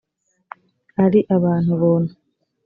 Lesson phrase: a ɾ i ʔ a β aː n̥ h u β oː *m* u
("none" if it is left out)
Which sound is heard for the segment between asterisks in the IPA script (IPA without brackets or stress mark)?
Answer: n